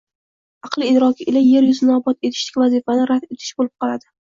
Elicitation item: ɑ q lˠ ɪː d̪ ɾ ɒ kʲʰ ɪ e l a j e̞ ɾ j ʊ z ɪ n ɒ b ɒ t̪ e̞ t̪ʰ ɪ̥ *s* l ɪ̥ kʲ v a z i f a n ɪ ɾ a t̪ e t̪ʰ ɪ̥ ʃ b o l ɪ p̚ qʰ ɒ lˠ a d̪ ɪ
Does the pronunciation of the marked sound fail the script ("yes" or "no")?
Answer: yes